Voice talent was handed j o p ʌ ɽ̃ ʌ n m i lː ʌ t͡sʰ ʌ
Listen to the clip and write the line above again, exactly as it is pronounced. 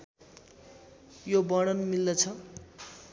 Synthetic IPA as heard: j o b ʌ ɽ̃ ʌ n m i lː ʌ t͡sʰ ʌ